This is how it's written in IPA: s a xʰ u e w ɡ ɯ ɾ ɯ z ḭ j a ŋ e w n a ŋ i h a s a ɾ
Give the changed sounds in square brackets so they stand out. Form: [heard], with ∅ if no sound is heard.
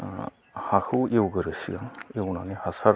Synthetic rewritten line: [h] a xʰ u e w ɡ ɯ ɾ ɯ [s] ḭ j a ŋ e w n a [n] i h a s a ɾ

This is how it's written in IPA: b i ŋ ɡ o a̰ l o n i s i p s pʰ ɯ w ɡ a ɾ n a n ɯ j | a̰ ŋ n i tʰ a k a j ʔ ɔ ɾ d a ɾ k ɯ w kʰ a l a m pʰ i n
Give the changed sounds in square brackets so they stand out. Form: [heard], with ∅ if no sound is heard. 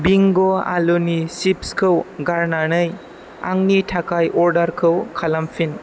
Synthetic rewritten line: b i ŋ ɡ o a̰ l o n i s i p s [kʰ] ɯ w ɡ a ɾ n a n ɯ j | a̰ ŋ n i tʰ a k a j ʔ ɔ ɾ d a ɾ [kʰ] ɯ w kʰ a l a m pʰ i n

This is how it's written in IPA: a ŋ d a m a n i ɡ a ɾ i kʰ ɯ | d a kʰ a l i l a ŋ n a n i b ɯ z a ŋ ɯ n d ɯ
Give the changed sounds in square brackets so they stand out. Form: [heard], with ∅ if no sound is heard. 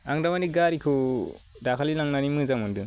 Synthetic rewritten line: a ŋ d a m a n i ɡ a ɾ i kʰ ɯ | d a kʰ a l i l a ŋ n a n i [m] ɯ z a [m] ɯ n d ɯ

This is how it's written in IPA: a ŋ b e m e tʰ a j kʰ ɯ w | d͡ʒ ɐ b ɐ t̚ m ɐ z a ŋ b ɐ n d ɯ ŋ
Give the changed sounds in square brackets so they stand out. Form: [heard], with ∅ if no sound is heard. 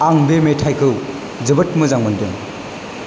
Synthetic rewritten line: a ŋ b e m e tʰ a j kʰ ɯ w | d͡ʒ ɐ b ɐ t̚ m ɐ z a ŋ [m] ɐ n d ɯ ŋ

